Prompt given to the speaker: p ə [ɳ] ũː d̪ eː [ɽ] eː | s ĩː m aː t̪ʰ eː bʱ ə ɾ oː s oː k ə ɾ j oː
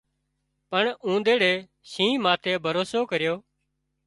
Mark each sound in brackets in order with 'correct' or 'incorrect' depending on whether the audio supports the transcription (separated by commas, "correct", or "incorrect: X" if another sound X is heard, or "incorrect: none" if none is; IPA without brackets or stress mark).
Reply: correct, correct